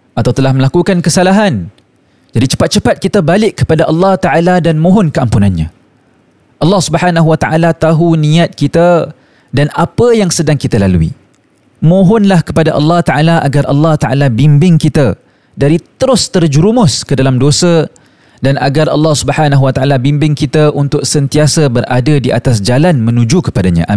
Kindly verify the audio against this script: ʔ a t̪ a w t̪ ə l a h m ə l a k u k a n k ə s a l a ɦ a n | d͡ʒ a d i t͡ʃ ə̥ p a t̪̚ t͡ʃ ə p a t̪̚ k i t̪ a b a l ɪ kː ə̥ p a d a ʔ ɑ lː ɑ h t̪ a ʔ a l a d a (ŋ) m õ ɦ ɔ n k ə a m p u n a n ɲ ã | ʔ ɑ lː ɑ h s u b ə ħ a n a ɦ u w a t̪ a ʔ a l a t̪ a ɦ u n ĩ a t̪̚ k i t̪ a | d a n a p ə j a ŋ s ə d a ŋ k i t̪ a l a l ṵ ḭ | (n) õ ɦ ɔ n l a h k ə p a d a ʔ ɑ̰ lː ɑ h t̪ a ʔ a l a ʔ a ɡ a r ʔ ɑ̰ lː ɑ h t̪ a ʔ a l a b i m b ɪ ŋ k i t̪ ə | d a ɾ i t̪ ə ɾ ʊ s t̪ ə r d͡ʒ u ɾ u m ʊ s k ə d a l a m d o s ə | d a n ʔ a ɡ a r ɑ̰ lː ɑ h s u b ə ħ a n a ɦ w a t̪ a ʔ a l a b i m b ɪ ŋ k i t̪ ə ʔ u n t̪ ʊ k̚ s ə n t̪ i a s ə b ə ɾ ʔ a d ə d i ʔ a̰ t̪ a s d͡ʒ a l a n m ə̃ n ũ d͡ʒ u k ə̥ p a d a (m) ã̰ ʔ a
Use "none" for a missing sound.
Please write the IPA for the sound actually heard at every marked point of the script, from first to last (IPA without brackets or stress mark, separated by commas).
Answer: n, m, ɲ